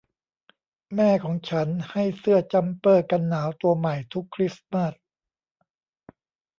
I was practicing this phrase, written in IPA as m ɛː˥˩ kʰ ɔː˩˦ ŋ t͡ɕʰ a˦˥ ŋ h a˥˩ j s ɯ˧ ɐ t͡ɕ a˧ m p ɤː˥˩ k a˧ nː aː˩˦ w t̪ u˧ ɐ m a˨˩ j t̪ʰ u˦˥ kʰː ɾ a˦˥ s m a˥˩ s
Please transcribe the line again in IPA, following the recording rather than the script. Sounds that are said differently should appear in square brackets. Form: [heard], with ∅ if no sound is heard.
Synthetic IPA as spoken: m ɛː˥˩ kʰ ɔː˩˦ ŋ t͡ɕʰ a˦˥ [n] h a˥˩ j s [ɯ˥˩] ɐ t͡ɕ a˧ m p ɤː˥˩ k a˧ nː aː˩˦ w t̪ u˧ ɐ m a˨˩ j t̪ʰ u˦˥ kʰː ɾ [i˦˥] s m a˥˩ s